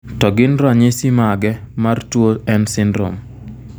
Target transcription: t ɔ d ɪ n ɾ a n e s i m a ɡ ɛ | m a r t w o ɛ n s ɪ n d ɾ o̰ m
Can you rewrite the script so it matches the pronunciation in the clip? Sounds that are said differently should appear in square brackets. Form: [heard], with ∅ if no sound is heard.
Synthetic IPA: t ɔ [ɡ] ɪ n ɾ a [ɲ] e s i m a ɡ ɛ | m a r t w o ɛ n s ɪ n d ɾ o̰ m

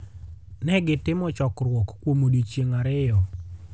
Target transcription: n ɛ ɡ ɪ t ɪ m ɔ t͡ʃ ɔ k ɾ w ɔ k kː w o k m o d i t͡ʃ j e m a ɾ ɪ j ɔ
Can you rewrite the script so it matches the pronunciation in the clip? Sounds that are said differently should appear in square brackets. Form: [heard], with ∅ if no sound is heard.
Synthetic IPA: n ɛ ɡ ɪ t ɪ m ɔ t͡ʃ ɔ k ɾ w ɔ k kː w o [∅] m o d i t͡ʃ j e [ŋ] a ɾ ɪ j ɔ

